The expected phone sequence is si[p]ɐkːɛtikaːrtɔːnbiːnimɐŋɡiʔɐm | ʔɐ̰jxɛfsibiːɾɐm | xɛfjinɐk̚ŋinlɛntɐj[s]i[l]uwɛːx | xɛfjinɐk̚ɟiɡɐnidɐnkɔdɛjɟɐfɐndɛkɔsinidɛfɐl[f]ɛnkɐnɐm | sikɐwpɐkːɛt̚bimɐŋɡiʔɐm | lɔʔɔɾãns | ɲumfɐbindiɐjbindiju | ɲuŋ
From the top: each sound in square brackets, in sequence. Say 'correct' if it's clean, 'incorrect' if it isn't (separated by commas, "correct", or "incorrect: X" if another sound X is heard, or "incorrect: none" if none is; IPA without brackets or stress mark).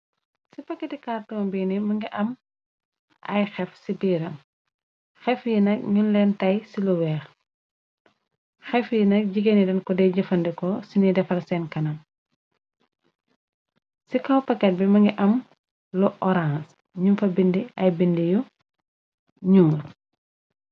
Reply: correct, correct, correct, incorrect: s